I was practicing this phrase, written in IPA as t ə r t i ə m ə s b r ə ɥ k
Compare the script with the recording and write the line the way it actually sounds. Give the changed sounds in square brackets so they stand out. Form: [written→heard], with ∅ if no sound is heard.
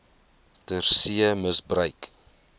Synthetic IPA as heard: t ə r [t→s] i ə m ə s b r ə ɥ k